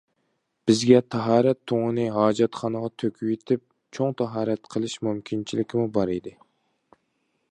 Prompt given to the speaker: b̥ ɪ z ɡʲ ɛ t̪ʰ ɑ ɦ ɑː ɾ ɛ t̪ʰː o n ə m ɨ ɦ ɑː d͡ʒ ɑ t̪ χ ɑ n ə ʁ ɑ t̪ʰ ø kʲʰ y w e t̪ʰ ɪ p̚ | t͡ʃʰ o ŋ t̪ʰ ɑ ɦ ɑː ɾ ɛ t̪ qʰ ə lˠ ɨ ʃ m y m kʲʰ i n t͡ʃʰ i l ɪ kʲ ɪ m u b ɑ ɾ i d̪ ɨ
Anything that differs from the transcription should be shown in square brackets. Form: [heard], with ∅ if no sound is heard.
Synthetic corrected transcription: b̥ ɪ z ɡʲ ɛ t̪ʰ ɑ ɦ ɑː ɾ ɛ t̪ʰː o [ŋ] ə [n] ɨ ɦ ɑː d͡ʒ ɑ t̪ χ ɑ n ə ʁ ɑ t̪ʰ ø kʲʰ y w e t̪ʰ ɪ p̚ | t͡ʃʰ o ŋ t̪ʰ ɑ ɦ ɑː ɾ ɛ t̪ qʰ ə lˠ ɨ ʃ m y m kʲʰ i n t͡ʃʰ i l ɪ kʲ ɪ m u b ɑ ɾ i d̪ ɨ